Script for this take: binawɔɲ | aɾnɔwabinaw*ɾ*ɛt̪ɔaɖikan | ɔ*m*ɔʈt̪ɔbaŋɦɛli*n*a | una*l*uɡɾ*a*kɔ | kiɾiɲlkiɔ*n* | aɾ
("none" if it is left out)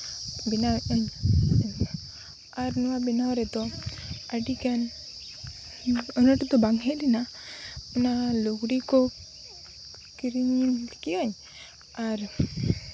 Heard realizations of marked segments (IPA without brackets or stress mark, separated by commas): ɾ, n, n, l, i, ɲ